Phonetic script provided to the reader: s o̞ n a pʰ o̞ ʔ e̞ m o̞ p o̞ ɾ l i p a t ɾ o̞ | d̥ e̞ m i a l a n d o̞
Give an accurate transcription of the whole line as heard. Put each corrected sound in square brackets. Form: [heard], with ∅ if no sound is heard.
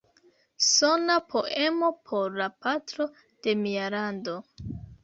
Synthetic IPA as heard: s o̞ n a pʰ o̞ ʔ e̞ m o̞ [pʰ] o̞ ɾ l [a] p a t ɾ o̞ | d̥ e̞ m i a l a n d o̞